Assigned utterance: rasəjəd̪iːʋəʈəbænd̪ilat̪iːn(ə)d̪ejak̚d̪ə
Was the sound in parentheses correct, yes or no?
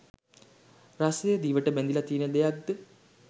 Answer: yes